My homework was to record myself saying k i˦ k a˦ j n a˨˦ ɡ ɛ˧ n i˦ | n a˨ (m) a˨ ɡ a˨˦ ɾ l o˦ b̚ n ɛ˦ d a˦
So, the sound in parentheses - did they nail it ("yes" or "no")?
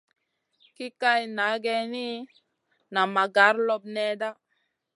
yes